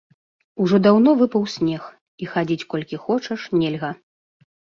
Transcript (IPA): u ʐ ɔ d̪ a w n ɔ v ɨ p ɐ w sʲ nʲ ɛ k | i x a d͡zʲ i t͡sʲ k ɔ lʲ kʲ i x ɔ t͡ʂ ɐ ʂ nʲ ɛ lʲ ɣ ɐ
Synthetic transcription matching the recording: u ʐ ɔ d̪ a w n ɔ v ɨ p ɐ w sʲ nʲ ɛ x | i x a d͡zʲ i t͡sʲ k ɔ lʲ kʲ i x ɔ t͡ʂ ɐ ʂ nʲ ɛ lʲ ɣ ɐ